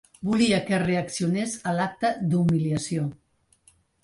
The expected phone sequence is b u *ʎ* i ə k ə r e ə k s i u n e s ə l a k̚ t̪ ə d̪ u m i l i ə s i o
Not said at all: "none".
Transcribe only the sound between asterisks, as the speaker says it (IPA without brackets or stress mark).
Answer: l